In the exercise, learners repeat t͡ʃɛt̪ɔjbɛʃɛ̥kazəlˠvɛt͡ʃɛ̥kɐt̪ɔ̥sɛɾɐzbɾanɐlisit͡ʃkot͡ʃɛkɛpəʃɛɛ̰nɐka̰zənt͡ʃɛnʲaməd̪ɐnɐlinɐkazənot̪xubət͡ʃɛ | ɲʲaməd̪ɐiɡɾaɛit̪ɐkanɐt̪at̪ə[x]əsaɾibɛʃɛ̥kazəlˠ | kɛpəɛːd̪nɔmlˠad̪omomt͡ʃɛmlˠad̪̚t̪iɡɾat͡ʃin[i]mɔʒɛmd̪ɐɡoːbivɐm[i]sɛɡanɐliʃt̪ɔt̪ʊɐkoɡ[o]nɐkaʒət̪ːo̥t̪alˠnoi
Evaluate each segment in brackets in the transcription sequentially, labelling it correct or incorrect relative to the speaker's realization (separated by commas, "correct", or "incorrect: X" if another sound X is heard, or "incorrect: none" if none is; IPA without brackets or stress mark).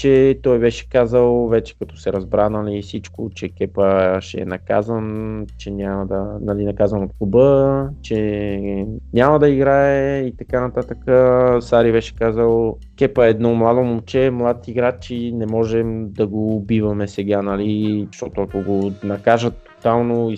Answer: incorrect: k, incorrect: ɛ, incorrect: ɛ, correct